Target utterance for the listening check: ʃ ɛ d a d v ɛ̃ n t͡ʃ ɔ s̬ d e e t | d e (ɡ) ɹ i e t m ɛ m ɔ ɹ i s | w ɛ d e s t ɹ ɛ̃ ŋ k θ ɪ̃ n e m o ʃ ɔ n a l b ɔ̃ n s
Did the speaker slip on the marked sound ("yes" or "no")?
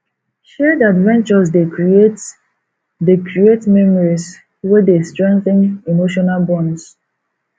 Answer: yes